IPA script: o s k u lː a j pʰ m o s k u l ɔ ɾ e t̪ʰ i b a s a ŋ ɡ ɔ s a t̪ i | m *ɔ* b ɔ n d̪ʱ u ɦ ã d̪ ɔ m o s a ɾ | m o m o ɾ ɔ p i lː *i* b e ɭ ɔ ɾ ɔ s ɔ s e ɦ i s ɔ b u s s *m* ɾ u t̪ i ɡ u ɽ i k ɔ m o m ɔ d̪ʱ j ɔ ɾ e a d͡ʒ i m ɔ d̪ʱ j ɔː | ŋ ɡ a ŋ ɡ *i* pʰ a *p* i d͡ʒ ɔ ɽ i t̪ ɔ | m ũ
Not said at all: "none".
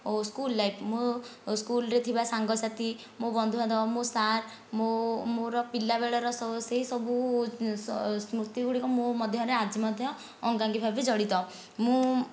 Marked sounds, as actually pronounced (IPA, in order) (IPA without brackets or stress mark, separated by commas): o, a, m, i, b